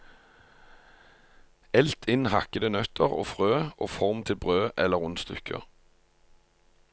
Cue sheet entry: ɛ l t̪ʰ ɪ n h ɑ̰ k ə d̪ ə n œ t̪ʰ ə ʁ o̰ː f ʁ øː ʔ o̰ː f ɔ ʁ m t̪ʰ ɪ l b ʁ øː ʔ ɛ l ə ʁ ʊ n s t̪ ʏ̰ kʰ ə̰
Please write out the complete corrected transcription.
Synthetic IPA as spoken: ɛ l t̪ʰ ɪ n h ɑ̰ k ə d̪ ə n œ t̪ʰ ə ʁ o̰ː f ʁ øː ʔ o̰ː f ɔ ʁ m t̪ʰ ɪ l b ʁ øː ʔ ɛ l ə ʁ ʊ n s t̪ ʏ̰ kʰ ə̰